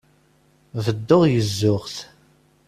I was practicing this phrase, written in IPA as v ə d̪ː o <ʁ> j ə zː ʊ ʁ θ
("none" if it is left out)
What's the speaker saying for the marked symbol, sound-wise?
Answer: ʁ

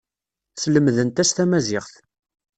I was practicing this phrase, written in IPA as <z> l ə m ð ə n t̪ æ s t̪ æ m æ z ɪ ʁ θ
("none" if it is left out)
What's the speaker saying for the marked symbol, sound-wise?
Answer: s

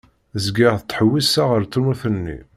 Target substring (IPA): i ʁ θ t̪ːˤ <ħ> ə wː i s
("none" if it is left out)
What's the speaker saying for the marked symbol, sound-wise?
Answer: ħ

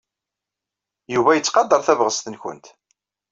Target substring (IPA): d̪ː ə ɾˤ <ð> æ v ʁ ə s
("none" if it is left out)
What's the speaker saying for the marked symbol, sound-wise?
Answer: θ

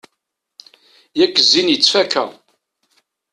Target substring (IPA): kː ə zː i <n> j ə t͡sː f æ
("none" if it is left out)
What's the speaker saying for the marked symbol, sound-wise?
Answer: n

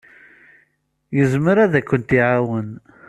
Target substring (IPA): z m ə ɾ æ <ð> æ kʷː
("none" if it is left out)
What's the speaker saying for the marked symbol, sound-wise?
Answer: ð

